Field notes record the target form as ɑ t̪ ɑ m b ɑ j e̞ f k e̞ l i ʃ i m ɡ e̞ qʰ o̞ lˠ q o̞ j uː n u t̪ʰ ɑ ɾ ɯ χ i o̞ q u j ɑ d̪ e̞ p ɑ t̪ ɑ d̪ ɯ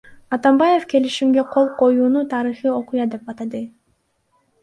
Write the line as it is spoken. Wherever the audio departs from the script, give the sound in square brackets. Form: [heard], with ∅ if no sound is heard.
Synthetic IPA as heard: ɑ t̪ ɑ m b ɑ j e̞ f k e̞ l i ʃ i m ɡ e̞ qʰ o̞ lˠ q o̞ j uː n u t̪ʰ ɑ ɾ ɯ χ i o̞ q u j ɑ d̪ e̞ p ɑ t̪ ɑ d̪ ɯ